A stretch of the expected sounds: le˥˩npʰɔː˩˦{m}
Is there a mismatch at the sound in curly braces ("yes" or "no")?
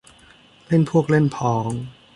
yes